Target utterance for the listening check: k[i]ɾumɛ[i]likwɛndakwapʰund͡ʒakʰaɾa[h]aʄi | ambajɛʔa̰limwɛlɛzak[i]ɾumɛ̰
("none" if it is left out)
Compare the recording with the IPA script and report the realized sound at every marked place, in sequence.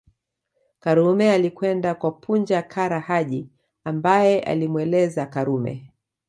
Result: a, a, h, a

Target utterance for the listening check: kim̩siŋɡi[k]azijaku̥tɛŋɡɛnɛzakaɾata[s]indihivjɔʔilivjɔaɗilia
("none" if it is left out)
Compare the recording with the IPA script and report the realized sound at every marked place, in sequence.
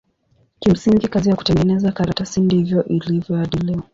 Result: k, s

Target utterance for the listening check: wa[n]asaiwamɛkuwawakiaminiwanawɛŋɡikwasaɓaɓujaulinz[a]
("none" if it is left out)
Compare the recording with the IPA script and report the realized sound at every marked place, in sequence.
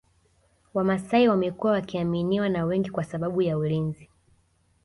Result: m, i

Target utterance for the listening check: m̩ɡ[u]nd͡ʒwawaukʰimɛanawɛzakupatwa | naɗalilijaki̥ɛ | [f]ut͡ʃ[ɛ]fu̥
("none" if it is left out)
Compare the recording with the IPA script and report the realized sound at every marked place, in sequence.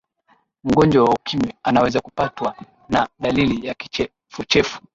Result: ɔ, f, ɛ

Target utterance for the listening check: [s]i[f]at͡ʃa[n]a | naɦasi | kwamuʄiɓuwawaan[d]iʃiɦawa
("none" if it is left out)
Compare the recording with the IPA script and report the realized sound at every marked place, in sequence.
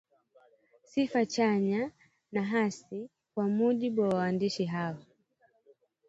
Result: s, f, ɲ, d

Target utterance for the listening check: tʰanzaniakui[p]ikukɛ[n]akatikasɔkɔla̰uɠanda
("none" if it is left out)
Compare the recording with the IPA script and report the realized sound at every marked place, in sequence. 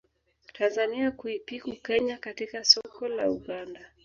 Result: p, ɲ

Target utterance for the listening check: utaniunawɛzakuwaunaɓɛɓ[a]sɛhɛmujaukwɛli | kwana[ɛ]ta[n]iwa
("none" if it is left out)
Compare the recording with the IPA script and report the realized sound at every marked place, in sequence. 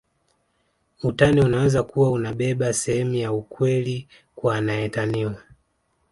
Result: a, ɛ, n

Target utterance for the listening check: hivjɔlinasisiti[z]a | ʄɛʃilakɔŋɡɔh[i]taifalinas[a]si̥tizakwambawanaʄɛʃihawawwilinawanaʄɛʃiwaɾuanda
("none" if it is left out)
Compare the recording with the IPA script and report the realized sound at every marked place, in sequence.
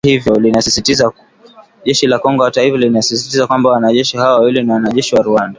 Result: z, a, i

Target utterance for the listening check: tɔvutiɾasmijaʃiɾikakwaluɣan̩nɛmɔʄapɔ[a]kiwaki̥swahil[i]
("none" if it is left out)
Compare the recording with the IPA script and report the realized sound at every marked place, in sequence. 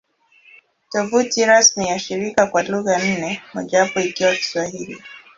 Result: i, i

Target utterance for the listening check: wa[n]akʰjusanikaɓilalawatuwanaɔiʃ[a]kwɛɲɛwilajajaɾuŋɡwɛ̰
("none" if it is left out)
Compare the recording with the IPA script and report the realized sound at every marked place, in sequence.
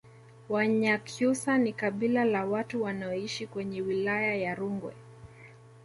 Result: ɲ, i

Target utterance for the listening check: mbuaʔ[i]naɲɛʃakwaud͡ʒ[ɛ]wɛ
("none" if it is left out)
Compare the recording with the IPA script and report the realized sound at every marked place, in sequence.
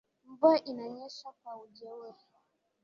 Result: i, ɛ

